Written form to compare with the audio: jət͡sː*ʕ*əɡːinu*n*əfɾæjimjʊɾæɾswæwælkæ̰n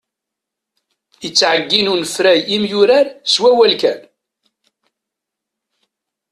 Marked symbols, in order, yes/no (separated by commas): yes, yes